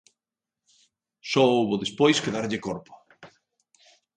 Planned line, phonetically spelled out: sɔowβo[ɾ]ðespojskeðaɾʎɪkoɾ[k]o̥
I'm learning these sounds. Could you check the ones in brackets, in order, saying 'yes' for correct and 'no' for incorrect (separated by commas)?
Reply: no, no